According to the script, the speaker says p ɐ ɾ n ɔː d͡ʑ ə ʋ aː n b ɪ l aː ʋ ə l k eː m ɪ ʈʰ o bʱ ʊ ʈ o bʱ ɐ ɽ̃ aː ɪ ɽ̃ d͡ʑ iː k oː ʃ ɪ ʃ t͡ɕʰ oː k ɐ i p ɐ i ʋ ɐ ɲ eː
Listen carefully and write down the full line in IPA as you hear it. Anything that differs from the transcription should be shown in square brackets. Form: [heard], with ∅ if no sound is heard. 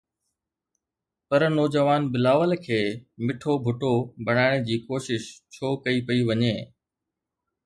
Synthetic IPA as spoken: p ɐ ɾ n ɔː d͡ʑ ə ʋ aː n b ɪ l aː ʋ ə l [kʰ] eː m ɪ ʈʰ o bʱ ʊ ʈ o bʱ ɐ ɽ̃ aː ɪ ɽ̃ d͡ʑ iː k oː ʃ ɪ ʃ t͡ɕʰ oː k ɐ i p ɐ i ʋ ɐ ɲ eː